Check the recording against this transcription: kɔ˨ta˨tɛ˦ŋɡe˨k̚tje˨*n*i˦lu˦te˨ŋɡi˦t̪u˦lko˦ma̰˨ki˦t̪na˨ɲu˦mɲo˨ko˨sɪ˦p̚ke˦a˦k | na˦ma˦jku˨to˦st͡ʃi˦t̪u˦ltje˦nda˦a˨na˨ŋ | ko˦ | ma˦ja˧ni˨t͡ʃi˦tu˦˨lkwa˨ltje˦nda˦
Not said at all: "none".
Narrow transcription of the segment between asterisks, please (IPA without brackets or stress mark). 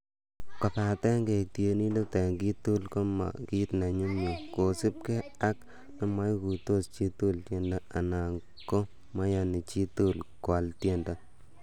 n